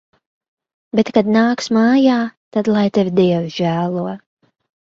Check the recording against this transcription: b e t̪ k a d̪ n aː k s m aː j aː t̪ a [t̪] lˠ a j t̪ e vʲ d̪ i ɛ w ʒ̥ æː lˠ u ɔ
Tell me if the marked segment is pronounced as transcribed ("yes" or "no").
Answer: no